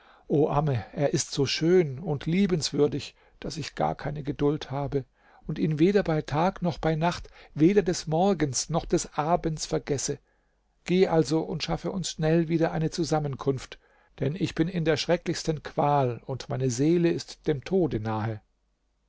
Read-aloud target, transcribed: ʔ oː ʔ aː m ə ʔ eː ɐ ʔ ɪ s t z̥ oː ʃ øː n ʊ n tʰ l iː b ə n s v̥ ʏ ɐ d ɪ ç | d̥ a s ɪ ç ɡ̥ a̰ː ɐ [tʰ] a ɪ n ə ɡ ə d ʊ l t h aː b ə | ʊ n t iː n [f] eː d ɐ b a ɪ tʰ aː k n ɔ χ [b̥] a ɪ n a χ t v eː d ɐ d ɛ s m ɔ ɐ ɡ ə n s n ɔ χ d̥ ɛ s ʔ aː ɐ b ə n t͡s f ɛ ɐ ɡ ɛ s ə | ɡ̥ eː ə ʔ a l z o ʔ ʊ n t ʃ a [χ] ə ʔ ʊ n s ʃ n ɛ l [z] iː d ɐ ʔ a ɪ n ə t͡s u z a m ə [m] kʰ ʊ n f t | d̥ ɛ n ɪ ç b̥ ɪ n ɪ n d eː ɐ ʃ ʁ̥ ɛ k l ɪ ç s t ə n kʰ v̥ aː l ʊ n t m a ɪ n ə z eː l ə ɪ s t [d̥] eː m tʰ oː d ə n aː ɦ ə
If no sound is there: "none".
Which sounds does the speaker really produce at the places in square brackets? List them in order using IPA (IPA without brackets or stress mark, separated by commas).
kʰ, v, b̥, f, v, n, d̥